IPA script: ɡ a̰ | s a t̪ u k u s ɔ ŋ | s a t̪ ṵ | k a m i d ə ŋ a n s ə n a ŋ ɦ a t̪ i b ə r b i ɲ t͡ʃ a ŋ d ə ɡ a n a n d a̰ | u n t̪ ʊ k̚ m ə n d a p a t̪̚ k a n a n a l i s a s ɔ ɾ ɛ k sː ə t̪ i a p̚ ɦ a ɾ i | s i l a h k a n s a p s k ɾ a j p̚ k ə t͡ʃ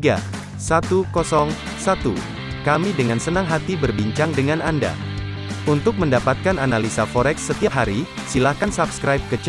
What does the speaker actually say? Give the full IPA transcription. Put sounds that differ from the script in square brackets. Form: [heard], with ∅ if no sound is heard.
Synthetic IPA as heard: ɡ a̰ | s a t̪ u k [ɔ] s ɔ ŋ | s a t̪ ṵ | k a m i d ə ŋ a n s ə n a ŋ ɦ a t̪ i b ə r b i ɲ t͡ʃ a ŋ d ə [ŋ] a n a n d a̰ | u n t̪ ʊ k̚ m ə n d a p a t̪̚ k a n a n a l i s a [f] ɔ ɾ ɛ k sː ə t̪ i a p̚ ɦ a ɾ i | s i l a h k a n s a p s k ɾ a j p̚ k ə t͡ʃ